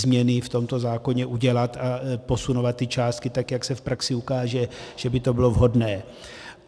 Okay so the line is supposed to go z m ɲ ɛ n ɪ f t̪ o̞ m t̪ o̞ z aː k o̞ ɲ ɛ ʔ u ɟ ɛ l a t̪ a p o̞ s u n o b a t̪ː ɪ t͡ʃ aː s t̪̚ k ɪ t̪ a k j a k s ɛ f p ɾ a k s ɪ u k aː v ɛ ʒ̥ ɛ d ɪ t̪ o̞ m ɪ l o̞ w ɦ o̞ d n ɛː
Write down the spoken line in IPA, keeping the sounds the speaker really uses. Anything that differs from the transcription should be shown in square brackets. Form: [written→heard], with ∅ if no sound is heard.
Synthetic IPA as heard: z m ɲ ɛ n ɪ f t̪ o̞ m t̪ o̞ z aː k o̞ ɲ ɛ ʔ u ɟ ɛ l a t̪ a p o̞ s u n o [b→v] a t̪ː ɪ t͡ʃ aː s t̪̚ k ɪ t̪ a k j a k s ɛ f p ɾ a k s ɪ u k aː [v→ʒ] ɛ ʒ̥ ɛ [d→b] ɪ t̪ o̞ [m→b] ɪ l o̞ [w→v] ɦ o̞ d n ɛː